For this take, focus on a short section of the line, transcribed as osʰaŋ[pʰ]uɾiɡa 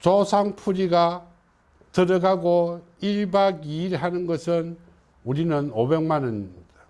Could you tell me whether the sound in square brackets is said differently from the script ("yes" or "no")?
no